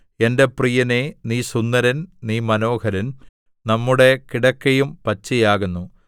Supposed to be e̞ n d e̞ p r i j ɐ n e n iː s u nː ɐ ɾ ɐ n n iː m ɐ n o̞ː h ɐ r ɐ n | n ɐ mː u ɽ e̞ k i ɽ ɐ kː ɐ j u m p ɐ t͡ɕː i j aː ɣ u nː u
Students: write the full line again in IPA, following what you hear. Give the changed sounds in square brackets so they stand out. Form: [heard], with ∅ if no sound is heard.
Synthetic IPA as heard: e̞ n d e̞ p r i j ɐ n e n iː s u nː ɐ ɾ ɐ n n iː m ɐ n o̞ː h ɐ [ɾ] ɐ n | n ɐ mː u ɽ e̞ k i ɽ ɐ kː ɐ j u m p ɐ t͡ɕː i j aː ɣ u nː u